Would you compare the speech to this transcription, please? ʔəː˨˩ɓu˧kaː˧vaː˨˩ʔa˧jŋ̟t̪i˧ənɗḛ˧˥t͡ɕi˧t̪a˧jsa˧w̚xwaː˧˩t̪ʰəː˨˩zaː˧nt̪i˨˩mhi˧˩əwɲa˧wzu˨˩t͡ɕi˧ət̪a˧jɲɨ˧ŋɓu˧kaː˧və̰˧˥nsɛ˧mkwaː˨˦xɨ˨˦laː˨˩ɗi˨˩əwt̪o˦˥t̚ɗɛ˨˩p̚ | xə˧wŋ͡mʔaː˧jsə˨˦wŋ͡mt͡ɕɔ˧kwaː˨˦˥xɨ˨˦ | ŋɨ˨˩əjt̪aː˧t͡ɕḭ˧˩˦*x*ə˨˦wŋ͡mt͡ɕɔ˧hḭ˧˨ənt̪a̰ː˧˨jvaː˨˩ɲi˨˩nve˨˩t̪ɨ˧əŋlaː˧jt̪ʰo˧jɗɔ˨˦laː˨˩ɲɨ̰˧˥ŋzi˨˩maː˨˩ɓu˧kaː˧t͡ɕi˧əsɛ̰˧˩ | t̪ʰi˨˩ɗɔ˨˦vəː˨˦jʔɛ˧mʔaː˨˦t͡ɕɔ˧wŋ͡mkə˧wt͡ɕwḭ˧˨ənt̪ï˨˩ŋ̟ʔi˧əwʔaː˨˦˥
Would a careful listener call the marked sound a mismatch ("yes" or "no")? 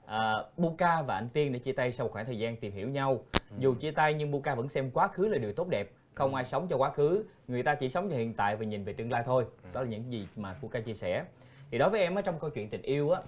yes